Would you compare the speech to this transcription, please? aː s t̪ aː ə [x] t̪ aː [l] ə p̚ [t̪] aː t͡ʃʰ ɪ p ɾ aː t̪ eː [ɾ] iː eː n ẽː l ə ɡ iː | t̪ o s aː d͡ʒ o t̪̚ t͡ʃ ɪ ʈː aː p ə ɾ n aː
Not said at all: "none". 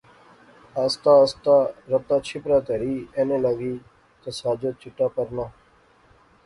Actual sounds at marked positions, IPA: s, ɾ, t̪, ɾ

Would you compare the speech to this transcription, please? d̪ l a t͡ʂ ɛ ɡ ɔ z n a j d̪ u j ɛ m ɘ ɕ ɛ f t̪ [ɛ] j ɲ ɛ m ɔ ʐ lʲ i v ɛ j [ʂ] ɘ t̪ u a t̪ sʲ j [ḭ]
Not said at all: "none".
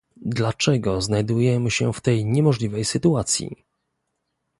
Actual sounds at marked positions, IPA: ɛ, s, ḭ

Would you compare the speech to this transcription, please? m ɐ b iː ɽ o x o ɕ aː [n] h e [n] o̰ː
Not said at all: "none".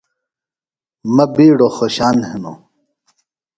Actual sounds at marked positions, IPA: n, n

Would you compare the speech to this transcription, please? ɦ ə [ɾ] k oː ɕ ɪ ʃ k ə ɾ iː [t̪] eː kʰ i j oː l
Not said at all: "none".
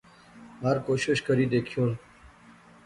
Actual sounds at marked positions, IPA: ɾ, d̪

